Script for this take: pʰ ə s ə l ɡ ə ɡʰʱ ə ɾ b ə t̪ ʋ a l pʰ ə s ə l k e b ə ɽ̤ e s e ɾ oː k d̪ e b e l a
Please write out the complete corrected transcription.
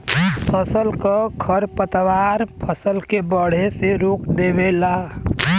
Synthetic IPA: pʰ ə s ə l k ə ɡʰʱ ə ɾ p ə t̪ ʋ a ɾ pʰ ə s ə l k e b ə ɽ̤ e s e ɾ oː k d̪ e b e l a